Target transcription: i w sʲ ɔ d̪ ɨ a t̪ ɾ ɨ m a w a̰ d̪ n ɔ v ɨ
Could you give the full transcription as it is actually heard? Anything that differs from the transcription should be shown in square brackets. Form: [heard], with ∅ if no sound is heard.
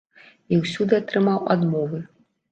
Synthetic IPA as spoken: i w sʲ [u] d̪ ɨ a t̪ ɾ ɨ m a w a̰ d̪ [m] ɔ v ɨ

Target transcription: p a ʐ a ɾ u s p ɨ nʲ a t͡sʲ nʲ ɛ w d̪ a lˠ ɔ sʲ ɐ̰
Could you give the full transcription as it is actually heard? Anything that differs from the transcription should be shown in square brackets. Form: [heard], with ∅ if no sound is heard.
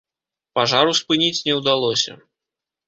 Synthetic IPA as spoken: p a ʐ a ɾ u s p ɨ nʲ [i] t͡sʲ nʲ ɛ w d̪ a lˠ ɔ sʲ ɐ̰

